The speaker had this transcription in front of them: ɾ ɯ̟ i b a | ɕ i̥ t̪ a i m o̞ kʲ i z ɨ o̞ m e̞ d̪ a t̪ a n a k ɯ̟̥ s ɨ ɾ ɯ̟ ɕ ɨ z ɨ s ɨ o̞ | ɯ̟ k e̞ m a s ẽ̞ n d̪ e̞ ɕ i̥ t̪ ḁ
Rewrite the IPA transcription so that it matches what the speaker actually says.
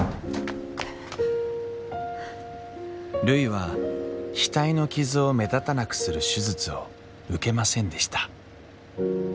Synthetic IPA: ɾ ɯ̟ i β a | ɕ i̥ t̪ a i n o̞ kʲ i z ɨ o̞ m e̞ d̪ a t̪ a n a k ɯ̟̥ s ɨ ɾ ɯ̟ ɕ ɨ z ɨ t͡s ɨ o̞ | ɯ̟ k e̞ m a s ẽ̞ n d̪ e̞ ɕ i̥ t̪ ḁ